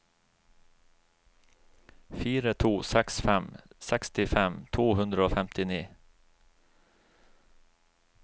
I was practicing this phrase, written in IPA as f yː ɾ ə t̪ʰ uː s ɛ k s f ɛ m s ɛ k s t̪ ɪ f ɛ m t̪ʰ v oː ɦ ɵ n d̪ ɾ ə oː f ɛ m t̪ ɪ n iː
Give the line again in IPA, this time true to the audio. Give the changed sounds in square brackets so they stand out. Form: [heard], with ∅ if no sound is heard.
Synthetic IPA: f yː ɾ ə t̪ʰ uː s ɛ k s f ɛ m s ɛ k s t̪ ɪ f ɛ m t̪ʰ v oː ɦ ɵ n d̪ ɾ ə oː f ɛ m t̪ ɪ n iː